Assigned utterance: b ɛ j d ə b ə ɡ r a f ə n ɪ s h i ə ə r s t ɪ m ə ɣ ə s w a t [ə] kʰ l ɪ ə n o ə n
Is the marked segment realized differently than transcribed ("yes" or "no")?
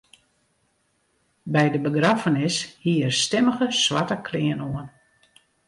no